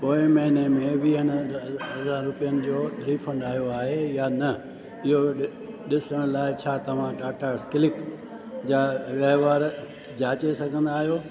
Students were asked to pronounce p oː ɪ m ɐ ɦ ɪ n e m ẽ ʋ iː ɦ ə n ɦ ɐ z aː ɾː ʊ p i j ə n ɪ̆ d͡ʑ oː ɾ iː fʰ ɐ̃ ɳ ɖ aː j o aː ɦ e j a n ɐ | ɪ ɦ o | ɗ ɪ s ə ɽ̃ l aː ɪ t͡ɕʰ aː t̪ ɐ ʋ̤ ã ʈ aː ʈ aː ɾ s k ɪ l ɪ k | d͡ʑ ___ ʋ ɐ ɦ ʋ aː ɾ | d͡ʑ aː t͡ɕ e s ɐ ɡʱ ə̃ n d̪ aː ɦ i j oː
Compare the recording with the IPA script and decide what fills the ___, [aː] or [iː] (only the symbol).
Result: aː